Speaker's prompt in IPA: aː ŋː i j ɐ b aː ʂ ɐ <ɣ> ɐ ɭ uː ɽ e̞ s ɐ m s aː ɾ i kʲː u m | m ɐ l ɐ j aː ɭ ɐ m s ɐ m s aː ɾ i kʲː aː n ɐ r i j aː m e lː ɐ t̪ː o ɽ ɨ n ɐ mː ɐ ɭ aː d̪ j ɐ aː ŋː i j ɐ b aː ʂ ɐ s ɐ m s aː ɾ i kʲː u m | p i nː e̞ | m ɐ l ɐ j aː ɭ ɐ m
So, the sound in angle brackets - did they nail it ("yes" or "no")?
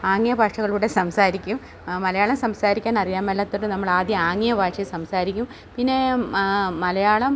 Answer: yes